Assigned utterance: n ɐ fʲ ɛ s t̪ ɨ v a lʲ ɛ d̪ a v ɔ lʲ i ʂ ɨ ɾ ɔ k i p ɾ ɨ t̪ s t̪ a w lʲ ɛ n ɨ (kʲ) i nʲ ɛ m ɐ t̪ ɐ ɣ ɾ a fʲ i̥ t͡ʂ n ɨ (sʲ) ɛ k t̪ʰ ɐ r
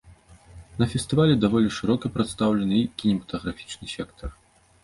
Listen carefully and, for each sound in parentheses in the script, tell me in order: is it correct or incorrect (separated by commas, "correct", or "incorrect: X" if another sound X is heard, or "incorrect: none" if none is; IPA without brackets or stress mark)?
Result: correct, correct